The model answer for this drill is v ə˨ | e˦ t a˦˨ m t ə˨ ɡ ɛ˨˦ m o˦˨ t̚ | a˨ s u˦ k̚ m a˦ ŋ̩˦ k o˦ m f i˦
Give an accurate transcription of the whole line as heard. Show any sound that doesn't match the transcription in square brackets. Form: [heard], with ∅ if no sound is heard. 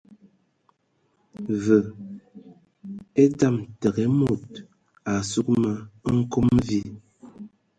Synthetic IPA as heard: v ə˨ | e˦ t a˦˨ m t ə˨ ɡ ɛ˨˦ m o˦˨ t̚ | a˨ s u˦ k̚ m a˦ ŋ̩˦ k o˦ m [v] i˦